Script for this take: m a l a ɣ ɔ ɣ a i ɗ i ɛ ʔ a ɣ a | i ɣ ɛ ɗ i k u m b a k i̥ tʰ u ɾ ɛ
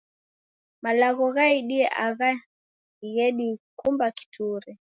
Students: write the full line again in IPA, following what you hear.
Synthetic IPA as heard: m a l a ɣ ɔ ɣ a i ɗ i ɛ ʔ a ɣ a | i ɣ ɛ ɗ i k u m b a k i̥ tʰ u ɾ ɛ